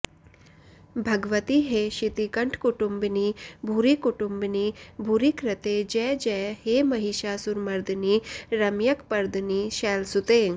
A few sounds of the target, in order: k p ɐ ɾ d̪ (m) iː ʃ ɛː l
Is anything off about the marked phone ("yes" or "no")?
yes